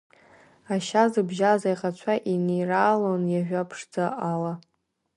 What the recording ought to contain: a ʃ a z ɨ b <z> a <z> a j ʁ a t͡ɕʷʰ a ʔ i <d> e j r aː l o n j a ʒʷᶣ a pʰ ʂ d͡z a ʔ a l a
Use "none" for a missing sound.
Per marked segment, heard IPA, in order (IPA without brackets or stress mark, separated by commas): ʒ, z, n